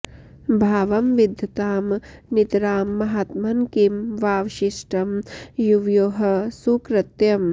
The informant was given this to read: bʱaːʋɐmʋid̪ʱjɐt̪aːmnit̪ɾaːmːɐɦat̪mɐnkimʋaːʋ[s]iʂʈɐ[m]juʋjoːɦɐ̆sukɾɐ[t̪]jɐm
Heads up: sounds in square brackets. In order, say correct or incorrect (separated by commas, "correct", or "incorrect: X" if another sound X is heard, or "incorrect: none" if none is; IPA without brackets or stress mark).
incorrect: ʃ, correct, correct